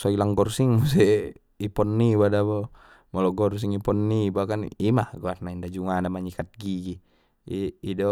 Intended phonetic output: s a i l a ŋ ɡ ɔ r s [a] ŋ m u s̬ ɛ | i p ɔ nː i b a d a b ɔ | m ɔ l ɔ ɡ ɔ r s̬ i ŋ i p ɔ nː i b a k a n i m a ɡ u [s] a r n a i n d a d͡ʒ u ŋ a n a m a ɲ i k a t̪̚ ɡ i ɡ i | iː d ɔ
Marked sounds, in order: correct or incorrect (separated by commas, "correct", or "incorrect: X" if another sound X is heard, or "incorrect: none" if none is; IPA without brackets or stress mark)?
incorrect: i, incorrect: none